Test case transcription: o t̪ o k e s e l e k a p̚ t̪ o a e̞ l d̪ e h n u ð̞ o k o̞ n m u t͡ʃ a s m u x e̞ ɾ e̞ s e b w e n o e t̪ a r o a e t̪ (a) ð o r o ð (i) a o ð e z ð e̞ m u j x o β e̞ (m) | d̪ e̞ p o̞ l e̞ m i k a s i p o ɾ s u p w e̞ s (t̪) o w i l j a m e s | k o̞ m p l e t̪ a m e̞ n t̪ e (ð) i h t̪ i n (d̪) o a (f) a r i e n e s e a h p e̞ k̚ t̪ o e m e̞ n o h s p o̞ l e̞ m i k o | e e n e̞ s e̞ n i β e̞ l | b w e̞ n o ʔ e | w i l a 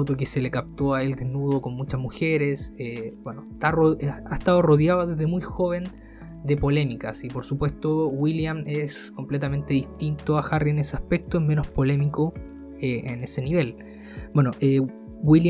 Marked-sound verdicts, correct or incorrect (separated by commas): correct, incorrect, incorrect, correct, correct, incorrect, incorrect